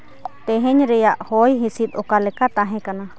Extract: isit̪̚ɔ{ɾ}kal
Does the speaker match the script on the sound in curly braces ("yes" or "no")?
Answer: no